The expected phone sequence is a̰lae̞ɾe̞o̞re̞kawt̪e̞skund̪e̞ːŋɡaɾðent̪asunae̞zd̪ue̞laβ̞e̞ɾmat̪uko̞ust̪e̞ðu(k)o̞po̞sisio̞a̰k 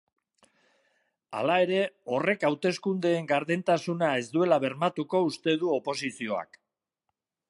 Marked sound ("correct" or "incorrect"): incorrect